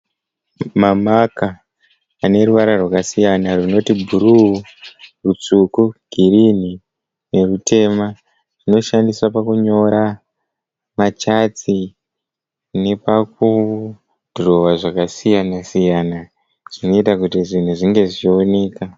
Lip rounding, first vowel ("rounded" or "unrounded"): unrounded